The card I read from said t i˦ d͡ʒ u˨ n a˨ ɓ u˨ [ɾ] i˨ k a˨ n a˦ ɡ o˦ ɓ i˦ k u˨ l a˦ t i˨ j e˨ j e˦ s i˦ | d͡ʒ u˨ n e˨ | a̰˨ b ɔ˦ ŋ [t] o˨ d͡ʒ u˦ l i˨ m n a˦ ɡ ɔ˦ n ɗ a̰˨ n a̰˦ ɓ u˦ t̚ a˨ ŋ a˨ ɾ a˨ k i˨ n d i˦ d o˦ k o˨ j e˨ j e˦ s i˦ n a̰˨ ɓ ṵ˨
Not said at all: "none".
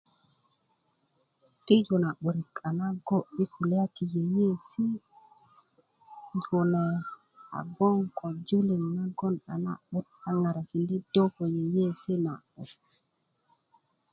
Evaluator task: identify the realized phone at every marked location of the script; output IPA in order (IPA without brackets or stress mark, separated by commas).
ɾ, k